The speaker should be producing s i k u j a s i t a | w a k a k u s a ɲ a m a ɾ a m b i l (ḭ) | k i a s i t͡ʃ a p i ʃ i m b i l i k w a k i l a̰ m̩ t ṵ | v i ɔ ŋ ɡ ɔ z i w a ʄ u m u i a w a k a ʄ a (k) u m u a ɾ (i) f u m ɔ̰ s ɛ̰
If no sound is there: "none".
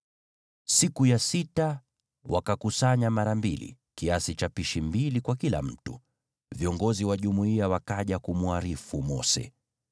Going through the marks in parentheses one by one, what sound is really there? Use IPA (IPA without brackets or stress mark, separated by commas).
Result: ḭ, k, i